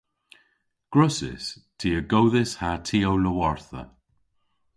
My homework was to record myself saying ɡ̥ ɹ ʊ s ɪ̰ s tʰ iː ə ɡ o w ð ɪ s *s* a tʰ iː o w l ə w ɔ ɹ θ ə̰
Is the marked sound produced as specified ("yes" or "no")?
no